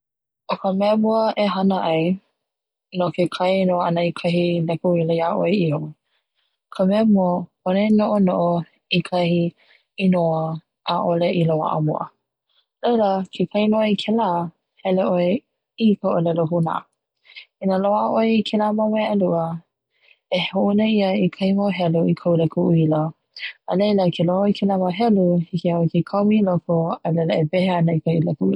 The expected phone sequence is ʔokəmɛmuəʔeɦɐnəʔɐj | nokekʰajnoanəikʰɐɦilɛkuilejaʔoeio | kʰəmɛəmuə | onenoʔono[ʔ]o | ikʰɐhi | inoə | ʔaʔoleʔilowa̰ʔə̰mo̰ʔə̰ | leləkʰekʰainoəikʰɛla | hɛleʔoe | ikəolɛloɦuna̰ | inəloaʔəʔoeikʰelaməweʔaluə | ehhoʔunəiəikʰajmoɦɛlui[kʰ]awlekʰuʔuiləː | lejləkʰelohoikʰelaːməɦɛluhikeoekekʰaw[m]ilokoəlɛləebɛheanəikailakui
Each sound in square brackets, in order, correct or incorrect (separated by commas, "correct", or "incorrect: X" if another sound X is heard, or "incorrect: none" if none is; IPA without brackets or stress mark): correct, correct, correct